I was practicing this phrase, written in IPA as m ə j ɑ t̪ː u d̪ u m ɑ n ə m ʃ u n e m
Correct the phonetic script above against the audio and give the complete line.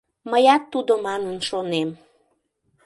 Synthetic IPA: m ə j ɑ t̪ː u d̪ o m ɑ n ə n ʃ o n e m